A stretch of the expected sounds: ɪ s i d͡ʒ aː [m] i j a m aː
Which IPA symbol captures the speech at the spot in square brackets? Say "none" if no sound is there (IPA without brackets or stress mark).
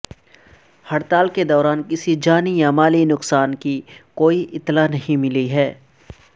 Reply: n